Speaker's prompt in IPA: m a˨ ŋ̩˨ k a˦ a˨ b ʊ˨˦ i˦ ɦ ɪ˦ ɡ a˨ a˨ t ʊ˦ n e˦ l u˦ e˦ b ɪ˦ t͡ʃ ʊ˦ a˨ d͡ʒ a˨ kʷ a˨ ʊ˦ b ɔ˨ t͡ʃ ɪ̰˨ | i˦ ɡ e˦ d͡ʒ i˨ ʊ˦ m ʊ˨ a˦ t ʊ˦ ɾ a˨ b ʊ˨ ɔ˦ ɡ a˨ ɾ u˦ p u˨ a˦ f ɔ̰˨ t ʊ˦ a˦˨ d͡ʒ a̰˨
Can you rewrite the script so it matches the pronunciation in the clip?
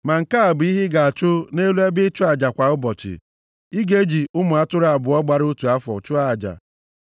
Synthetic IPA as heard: m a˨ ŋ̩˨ k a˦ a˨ b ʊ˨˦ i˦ ɦ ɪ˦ ɡ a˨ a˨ t͡ʃ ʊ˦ n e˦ l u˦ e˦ b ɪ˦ t͡ʃ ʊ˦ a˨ d͡ʒ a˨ kʷ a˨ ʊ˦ b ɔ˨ t͡ʃ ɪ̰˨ | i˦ ɡ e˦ d͡ʒ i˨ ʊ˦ m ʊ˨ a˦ t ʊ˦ ɾ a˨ b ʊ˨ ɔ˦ ɡ͡b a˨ ɾ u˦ t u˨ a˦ f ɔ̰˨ t͡ʃ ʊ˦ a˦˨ d͡ʒ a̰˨

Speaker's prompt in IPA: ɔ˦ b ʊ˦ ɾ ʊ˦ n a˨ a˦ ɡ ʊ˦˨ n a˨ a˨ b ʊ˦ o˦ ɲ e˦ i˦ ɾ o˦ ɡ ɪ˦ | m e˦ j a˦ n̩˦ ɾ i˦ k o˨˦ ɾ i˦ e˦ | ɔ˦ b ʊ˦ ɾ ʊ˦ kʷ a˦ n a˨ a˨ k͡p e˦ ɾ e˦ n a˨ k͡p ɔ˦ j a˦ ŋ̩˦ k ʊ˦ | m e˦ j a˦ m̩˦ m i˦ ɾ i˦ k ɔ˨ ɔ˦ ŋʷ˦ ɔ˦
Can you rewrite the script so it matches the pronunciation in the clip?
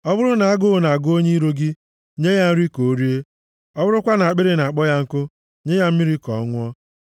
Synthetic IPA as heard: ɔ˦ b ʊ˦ ɾ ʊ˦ n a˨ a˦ ɡ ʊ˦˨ n a˨ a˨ ɡ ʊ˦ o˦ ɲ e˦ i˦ ɾ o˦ ɡ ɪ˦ | ɲ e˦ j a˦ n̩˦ ɾ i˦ k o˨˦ ɾ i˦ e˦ | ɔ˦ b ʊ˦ ɾ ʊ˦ kʷ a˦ n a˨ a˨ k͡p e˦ ɾ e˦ n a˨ k͡p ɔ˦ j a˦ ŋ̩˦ k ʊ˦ | ɲ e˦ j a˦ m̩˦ m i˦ ɾ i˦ k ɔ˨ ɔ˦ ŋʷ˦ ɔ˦

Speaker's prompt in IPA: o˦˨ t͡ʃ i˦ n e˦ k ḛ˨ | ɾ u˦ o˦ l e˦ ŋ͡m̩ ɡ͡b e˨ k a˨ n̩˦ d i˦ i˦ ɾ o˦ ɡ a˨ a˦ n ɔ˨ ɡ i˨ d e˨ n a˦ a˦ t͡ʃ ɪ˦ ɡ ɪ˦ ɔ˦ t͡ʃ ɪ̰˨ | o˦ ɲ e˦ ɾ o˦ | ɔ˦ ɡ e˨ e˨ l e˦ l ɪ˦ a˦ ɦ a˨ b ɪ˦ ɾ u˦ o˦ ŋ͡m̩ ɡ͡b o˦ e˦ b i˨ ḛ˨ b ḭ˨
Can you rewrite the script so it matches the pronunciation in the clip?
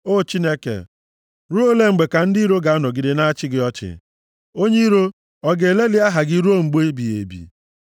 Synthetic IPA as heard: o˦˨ t͡ʃ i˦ n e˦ k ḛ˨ | ɾ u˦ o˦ l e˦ ŋ͡m̩ ɡ͡b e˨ k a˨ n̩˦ d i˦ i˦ ɾ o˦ ɡ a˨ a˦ n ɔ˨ ɡ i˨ d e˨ n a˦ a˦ t͡ʃ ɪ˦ ɡ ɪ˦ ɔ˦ t͡ʃ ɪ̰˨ | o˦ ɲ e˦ ɾ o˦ | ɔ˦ ɡ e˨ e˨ l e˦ l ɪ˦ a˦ ɦ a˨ ɡ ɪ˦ ɾ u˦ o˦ ŋ͡m̩ ɡ͡b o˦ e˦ b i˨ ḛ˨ b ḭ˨

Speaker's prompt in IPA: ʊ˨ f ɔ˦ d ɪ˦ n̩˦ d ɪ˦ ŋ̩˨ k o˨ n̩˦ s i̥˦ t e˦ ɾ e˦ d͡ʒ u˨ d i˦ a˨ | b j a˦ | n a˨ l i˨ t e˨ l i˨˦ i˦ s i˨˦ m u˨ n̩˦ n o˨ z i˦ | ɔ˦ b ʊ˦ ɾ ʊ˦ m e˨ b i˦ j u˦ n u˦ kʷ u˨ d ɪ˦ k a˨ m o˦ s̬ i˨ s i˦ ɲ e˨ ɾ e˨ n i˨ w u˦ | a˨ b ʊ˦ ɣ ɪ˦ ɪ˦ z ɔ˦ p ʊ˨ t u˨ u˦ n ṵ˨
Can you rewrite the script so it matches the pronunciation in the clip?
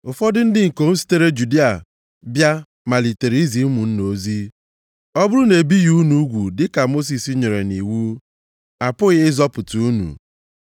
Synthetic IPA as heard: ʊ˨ f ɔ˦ d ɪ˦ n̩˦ d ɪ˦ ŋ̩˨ k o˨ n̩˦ s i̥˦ t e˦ ɾ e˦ d͡ʒ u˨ d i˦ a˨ | b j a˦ | m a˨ l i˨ t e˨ ɾ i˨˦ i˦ z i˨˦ m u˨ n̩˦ n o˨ z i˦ | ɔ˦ b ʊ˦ ɾ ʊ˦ n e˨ b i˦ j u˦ n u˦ ɡʷ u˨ d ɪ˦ k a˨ m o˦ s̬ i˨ s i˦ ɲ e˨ ɾ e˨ n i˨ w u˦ | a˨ p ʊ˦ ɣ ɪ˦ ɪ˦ z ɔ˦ p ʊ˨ t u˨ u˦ n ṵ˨

